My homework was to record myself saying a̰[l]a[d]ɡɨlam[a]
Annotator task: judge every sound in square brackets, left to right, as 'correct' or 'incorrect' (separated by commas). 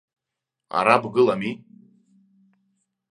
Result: incorrect, incorrect, incorrect